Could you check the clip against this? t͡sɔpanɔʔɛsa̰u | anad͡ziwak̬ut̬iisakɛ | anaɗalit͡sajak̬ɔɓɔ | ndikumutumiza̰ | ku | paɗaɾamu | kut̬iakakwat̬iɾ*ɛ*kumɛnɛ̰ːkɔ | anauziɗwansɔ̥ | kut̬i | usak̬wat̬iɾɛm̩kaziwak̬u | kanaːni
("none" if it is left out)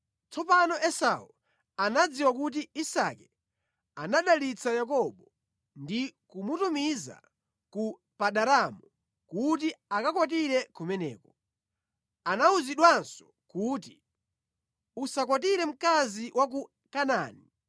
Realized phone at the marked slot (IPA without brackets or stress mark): ɛ